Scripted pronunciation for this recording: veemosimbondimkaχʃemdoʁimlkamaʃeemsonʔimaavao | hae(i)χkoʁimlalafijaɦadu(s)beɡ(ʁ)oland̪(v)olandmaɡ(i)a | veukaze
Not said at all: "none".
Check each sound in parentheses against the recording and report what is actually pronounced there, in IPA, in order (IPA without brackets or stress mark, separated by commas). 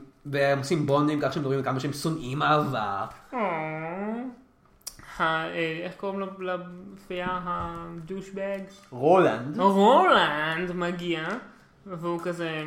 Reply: e, ʃ, ʁ, ʁ, i